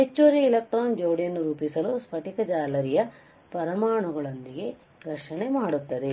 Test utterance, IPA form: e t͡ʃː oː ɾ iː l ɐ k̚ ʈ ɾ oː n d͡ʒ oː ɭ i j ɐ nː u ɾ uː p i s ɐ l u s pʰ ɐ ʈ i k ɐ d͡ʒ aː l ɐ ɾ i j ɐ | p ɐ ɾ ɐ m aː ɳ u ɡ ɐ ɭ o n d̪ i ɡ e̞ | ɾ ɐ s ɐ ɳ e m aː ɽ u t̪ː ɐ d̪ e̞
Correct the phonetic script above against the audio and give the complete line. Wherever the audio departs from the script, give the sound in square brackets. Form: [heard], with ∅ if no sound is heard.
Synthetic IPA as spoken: e t͡ʃː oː ɾ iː l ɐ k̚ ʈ ɾ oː n d͡ʒ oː [ɽ] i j ɐ nː u ɾ uː p i s ɐ l u s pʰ ɐ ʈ i k ɐ d͡ʒ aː l ɐ ɾ i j ɐ | p ɐ ɾ ɐ m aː ɳ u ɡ ɐ ɭ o n d̪ i ɡ e̞ | ɾ ɐ [ʂ] ɐ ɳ e m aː ɽ u t̪ː ɐ d̪ e̞